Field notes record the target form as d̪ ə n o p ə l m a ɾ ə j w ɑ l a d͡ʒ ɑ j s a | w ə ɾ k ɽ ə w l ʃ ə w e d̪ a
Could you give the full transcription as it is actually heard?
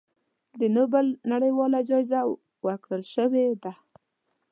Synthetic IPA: d̪ ə n o b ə l n a ɽ ə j w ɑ l a d͡ʒ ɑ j z a | w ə ɾ k ɽ ə l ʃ ə w e d̪ a